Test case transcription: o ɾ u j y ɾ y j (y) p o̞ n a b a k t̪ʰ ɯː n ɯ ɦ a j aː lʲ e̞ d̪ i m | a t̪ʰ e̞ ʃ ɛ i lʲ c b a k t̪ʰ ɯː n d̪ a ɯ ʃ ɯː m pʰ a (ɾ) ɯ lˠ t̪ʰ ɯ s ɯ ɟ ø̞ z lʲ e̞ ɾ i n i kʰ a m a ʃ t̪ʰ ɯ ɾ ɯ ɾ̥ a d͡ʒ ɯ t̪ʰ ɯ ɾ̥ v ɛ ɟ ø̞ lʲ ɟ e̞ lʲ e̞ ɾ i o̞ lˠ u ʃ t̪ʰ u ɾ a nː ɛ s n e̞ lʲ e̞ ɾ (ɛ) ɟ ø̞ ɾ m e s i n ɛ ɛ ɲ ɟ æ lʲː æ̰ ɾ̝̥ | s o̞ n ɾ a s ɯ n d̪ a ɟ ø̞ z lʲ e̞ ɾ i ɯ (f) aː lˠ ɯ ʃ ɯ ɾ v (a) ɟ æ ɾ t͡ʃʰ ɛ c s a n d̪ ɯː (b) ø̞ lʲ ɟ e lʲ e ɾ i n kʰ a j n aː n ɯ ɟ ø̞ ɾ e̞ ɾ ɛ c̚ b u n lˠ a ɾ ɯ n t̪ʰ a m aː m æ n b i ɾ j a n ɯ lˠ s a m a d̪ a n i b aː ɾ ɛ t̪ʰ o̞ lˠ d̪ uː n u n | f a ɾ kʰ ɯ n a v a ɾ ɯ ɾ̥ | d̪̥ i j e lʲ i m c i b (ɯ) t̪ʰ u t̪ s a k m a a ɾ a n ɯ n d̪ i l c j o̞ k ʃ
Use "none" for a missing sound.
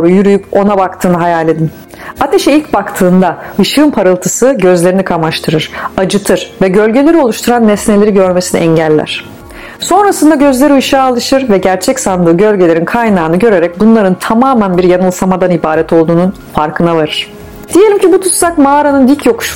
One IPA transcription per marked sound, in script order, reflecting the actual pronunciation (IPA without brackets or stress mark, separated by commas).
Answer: y, ɾ, i, ʃ, ɛ, ɟ, u